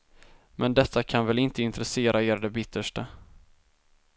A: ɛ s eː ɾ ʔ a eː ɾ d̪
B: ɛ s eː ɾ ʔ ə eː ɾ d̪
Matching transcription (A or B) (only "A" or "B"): A